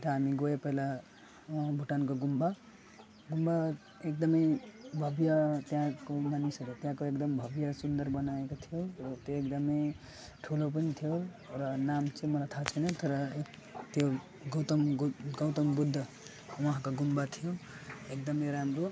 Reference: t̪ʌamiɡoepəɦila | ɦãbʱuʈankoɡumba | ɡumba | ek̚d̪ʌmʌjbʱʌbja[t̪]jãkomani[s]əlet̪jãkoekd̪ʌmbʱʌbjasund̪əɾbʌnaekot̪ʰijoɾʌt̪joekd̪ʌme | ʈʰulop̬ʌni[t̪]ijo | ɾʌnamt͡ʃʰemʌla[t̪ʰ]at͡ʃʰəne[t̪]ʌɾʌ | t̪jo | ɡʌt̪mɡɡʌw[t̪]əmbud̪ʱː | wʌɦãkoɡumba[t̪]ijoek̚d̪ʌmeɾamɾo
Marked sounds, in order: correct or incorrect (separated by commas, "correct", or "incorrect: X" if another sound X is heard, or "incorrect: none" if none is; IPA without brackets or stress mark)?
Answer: correct, correct, incorrect: t̪ʰ, correct, correct, correct, incorrect: t̪ʰ